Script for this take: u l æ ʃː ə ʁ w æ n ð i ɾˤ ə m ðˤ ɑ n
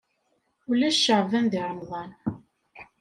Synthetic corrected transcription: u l æ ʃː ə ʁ v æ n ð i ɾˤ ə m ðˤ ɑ n